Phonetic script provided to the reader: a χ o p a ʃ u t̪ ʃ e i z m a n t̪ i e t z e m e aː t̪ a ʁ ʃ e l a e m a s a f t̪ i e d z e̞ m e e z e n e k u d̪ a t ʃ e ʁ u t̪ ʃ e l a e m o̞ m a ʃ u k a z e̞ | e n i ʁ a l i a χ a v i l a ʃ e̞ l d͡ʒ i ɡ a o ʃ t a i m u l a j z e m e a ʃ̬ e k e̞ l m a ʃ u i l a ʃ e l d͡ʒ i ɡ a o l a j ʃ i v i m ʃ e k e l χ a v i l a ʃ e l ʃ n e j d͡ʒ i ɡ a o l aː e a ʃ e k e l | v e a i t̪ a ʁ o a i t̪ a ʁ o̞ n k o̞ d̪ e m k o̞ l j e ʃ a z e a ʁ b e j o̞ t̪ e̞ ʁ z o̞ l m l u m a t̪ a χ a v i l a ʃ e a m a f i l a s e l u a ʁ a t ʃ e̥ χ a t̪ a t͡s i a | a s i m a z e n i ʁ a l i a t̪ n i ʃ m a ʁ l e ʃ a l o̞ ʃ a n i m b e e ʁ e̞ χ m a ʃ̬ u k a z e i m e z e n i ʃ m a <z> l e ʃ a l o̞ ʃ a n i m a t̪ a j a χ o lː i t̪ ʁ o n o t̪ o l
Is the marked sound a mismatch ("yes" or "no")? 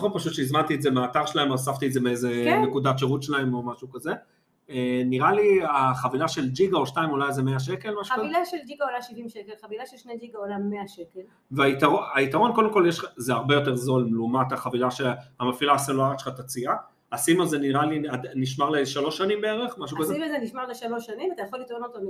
yes